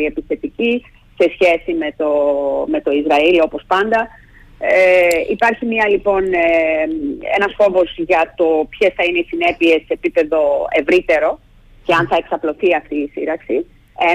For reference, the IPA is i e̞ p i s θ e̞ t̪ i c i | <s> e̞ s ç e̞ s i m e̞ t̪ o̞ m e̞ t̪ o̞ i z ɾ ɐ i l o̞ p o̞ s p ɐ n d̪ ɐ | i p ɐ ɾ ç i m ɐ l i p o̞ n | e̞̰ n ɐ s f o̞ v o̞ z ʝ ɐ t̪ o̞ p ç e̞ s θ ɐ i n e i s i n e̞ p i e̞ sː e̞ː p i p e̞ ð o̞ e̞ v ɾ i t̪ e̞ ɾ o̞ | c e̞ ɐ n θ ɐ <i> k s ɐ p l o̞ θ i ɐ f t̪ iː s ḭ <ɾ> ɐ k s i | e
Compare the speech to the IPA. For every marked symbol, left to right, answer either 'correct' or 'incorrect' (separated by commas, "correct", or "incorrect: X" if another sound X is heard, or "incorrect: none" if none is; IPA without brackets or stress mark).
correct, incorrect: e, correct